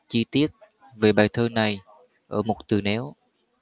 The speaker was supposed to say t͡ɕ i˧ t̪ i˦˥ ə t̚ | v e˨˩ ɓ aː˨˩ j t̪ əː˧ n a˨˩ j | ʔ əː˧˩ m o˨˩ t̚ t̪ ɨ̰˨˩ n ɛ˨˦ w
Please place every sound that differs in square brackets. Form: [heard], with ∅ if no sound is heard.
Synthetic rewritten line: t͡ɕ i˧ t̪ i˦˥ ə t̚ | v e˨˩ ɓ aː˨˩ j [t̪ʰ] əː˧ n a˨˩ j | ʔ əː˧˩ m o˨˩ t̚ t̪ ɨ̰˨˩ n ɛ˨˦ w